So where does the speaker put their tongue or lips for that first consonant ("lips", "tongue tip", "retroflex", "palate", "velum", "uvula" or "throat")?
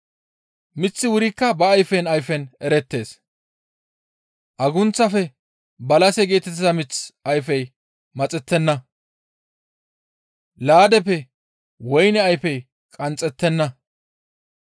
lips